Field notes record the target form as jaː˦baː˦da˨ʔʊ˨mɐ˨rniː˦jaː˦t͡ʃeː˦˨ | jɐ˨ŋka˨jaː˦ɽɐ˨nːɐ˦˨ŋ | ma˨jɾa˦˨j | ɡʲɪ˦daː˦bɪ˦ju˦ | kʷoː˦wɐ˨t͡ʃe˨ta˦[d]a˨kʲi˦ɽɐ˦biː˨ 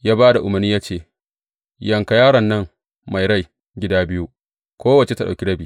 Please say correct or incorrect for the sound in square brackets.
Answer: incorrect